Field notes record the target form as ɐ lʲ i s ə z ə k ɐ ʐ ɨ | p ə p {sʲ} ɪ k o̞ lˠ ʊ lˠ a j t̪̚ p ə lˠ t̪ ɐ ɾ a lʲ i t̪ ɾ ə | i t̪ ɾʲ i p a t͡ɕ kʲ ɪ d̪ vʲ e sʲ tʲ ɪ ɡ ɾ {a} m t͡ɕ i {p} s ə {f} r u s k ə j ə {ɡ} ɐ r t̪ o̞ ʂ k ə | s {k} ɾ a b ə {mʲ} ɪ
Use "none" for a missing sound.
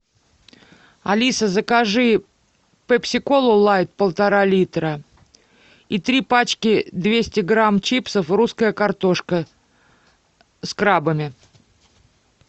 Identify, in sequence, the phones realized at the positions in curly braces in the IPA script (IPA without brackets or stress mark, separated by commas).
sʲ, a, p, f, k, k, mʲ